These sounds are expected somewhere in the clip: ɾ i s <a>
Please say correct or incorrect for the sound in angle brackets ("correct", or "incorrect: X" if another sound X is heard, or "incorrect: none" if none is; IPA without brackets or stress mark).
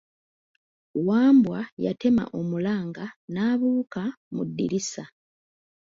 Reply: correct